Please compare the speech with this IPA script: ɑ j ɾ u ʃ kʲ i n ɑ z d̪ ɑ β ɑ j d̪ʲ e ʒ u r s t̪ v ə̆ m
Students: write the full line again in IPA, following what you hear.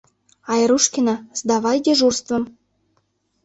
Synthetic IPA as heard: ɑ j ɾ u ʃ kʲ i n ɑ z d̪ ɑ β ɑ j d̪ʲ e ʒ u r s t̪ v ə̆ m